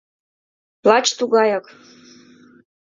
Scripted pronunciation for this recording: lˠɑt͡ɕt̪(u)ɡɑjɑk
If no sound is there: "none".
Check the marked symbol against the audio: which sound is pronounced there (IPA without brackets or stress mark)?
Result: u